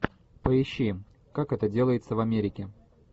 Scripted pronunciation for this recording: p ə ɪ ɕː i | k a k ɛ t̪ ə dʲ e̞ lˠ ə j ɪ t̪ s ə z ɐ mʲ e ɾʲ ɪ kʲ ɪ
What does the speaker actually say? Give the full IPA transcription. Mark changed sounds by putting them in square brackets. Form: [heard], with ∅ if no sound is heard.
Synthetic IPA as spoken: p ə ɪ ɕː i | k a k ɛ t̪ ə dʲ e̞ lˠ ə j ɪ t̪ s ə [v] ɐ mʲ e ɾʲ ɪ kʲ ɪ